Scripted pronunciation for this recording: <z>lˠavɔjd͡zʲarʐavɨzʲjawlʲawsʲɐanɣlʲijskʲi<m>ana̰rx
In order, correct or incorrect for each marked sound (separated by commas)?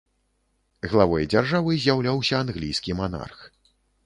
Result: incorrect, correct